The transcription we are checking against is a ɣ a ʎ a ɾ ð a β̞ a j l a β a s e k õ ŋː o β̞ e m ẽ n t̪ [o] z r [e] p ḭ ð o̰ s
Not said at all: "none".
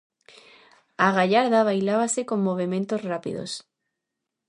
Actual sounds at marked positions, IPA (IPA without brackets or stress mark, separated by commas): o, a